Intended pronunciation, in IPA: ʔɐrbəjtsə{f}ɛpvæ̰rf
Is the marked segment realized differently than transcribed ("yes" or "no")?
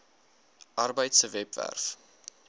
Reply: yes